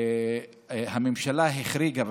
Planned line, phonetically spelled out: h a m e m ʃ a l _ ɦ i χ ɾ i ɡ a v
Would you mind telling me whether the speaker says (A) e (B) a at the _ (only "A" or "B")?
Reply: B